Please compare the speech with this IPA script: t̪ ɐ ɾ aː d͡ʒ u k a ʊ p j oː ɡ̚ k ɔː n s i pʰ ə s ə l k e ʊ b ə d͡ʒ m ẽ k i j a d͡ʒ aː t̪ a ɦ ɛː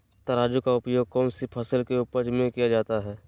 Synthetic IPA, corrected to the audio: t̪ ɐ ɾ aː d͡ʒ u k a ʊ p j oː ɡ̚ k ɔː n s i pʰ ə s ə l k e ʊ p ə d͡ʒ m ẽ k i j a d͡ʒ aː t̪ a ɦ ɛː